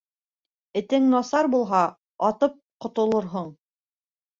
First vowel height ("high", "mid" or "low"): mid